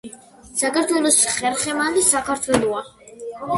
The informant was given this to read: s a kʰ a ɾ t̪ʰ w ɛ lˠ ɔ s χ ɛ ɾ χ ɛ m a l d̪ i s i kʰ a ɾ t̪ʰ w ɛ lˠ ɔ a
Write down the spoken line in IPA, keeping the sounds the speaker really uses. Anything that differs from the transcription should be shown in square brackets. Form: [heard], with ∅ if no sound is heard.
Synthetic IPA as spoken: s a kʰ a ɾ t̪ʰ w ɛ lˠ ɔ s χ ɛ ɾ χ ɛ m a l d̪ i s [a] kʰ a ɾ t̪ʰ w ɛ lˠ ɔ a